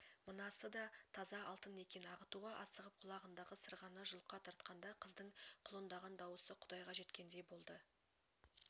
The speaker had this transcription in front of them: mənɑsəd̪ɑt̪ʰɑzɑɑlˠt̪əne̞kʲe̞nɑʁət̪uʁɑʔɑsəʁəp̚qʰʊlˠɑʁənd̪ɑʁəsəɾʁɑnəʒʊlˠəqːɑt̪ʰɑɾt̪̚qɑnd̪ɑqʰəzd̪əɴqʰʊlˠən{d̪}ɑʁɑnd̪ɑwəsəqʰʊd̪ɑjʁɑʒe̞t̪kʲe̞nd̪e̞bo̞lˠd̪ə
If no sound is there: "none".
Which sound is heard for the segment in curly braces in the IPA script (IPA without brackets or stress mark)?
d̪